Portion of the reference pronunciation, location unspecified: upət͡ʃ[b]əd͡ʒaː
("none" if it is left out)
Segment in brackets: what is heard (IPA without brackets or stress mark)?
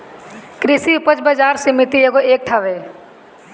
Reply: b